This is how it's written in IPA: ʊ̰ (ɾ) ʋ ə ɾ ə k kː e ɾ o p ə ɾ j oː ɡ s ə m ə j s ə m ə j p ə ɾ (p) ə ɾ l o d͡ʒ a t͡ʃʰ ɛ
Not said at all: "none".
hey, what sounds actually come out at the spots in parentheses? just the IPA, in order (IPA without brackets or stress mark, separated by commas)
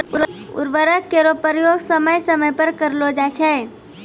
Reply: ɾ, k